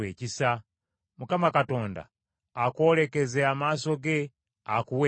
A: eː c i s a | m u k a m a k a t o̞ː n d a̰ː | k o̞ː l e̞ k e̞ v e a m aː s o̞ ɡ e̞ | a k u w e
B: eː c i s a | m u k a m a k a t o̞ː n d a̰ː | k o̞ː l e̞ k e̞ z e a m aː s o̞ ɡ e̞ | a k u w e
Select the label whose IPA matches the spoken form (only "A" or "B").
B